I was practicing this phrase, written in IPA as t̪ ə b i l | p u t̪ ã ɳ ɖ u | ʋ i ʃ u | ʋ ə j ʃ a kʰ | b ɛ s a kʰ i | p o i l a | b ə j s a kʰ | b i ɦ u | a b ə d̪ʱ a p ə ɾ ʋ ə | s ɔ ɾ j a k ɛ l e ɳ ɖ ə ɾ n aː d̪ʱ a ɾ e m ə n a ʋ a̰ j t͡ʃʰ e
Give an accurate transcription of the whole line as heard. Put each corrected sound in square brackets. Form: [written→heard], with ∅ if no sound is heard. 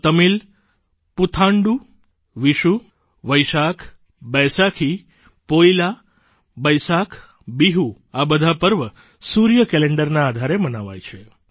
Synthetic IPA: t̪ ə [b→m] i l | p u [t̪→t̪ʰ] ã ɳ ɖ u | ʋ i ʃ u | ʋ ə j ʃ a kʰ | b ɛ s a kʰ i | p o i l a | b ə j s a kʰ | b i ɦ u | a b ə d̪ʱ a p ə ɾ ʋ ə | s [ɔ→u] ɾ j [a→ə] k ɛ l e ɳ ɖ ə ɾ n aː d̪ʱ a ɾ e m ə n a ʋ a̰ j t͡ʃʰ e